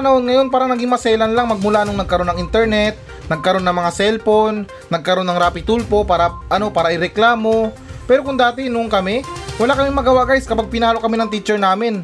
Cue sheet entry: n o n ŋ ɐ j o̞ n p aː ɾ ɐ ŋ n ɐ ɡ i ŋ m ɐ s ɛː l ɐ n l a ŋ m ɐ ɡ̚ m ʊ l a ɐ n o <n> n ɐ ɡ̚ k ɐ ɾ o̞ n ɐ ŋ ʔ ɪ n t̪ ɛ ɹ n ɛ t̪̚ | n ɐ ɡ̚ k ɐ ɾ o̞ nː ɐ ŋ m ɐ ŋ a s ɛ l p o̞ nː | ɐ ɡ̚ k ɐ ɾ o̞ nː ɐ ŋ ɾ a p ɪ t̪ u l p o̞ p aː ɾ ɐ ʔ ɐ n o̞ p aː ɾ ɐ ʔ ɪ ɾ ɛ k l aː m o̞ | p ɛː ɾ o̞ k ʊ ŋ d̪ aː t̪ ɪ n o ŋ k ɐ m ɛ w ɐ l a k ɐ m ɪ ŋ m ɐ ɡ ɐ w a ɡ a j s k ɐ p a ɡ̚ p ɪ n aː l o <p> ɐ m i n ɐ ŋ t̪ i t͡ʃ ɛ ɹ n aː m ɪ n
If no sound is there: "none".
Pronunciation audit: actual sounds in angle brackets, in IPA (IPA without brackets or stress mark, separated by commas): ŋ, k